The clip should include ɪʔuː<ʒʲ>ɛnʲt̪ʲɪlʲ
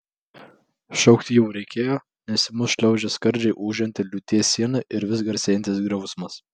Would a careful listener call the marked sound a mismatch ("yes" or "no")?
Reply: no